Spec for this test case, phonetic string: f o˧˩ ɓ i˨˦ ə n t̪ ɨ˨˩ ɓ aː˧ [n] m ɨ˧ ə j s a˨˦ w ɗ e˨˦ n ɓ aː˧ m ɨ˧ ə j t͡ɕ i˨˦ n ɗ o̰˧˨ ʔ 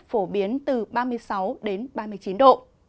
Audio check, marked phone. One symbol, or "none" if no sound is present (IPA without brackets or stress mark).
none